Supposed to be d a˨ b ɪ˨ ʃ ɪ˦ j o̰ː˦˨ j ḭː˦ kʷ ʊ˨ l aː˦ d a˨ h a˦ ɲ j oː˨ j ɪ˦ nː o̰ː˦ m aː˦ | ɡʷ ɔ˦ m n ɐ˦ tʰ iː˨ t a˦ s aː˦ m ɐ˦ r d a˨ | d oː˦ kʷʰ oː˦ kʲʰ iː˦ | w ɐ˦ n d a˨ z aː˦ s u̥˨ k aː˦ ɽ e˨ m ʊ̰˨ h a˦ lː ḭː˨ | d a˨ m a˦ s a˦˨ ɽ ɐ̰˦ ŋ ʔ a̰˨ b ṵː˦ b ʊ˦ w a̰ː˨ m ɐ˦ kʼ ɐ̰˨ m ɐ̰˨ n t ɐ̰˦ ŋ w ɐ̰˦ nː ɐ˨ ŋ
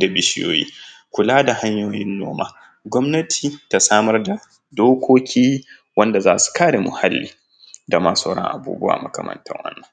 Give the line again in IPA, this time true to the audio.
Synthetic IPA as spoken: d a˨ b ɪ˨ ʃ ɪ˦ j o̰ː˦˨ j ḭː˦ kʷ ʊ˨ l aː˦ d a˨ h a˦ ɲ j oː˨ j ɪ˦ nː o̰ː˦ m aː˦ | ɡʷ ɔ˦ m n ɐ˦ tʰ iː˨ t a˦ s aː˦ m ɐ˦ r d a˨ | d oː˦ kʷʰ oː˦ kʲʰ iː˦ | w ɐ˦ n d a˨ z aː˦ s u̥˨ k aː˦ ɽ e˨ m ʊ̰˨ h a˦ lː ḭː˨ | d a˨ m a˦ s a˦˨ ɽ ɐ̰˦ ŋ ʔ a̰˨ b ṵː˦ b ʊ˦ w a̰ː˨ m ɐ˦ k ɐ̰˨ m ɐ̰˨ n t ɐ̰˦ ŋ w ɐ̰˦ nː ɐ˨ ŋ